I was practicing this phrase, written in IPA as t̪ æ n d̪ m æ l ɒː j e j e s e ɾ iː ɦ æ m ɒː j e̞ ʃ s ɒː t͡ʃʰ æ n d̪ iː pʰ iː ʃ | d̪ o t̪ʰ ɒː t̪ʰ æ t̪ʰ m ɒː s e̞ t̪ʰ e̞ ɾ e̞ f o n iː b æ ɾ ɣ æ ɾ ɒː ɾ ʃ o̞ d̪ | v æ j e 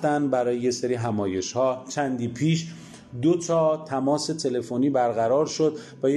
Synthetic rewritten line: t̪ æ n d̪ b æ ɾ ɒː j e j e s e ɾ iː ɦ æ m ɒː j e̞ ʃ h ɒː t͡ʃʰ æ n d̪ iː pʰ iː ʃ | d̪ o t̪ʰ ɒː t̪ʰ æ m ɒː s e̞ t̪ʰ e̞ l e̞ f o n iː b æ ɾ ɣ æ ɾ ɒː ɾ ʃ o̞ d̪ | v æ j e